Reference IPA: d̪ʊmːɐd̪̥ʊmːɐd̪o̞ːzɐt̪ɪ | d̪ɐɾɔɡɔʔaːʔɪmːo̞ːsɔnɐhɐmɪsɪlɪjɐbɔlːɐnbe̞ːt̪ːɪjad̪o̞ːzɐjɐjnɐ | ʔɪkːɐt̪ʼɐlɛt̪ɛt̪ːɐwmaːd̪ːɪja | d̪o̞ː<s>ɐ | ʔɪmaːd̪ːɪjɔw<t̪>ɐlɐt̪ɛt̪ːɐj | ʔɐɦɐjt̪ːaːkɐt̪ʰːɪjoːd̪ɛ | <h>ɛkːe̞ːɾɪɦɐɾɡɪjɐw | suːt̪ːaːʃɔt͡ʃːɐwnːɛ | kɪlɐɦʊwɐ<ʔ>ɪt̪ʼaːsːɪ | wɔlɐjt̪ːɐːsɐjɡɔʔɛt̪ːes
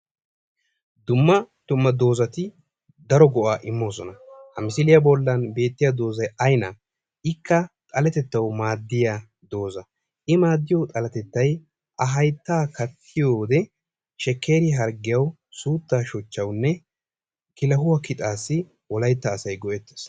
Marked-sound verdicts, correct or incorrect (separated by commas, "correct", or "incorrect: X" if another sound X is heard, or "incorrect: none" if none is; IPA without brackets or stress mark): incorrect: z, incorrect: t̪ʼ, incorrect: ʃ, incorrect: k